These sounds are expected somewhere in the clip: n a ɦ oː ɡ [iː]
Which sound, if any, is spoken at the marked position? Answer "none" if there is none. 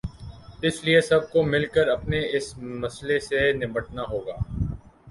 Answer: aː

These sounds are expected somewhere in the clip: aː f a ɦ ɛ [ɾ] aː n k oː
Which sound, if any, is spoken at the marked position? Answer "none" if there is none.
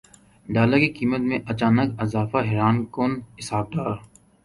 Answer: ɾ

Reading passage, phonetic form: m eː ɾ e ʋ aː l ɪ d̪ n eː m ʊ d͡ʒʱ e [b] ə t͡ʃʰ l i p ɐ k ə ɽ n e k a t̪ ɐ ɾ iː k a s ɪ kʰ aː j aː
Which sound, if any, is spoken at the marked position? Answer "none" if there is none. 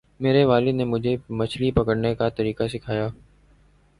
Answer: m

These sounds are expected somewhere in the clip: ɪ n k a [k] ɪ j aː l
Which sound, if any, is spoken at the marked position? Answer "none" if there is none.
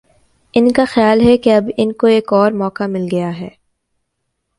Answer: x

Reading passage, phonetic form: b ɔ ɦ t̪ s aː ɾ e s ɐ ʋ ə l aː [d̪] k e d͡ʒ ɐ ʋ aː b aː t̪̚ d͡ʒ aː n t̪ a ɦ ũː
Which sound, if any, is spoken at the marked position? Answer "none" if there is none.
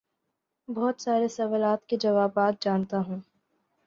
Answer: t̪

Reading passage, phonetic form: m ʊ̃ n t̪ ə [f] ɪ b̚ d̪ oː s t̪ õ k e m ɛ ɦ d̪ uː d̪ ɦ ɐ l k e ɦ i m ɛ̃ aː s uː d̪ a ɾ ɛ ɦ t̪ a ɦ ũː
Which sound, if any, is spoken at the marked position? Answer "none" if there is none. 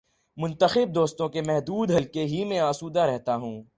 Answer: x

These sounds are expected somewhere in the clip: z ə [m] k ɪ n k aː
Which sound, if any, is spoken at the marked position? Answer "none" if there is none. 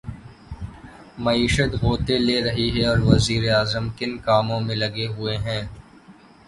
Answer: m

